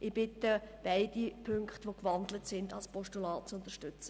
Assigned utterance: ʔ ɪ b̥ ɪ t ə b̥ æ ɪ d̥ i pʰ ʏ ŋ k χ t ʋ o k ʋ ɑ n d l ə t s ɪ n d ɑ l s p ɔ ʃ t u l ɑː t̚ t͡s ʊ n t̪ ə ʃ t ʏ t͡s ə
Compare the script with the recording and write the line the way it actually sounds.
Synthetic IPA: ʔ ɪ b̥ ɪ t ə b̥ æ ɪ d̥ i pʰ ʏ ŋ k χ t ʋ o k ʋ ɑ n d l ə t s ɪ n d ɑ l s p ɔ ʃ t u l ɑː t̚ t͡s ʊ n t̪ ə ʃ t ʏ t͡s ə

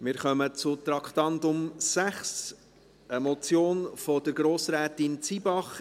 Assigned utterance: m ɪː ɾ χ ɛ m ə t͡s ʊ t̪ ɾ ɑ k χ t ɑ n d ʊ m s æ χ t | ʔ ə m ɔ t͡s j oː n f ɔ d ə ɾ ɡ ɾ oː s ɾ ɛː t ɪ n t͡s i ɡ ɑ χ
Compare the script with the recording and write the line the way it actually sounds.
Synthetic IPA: m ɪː ɾ χ œ m ə t͡s ʊ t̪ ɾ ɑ k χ t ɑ n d ʊ m s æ χ s | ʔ ə m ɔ t͡s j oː n f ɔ d ə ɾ ɡ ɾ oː s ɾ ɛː t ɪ n t͡s i b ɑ χ

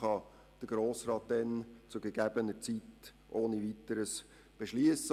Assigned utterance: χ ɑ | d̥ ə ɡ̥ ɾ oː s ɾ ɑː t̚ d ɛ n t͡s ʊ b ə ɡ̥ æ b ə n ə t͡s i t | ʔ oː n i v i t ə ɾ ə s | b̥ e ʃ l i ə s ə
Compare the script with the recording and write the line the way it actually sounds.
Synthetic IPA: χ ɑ | d̥ ə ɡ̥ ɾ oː s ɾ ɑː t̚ d ɛ n t͡s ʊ ɡ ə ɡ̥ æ b ə n ə t͡s i t | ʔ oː n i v i t ə ɾ ə s | b̥ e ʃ l i ə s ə

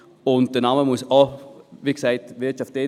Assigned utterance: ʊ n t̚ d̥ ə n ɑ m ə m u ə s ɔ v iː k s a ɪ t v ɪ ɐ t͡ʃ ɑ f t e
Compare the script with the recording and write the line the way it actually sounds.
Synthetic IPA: ʊ n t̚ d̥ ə n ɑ m ə m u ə s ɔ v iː k s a ɪ t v ɪ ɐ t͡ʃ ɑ f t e

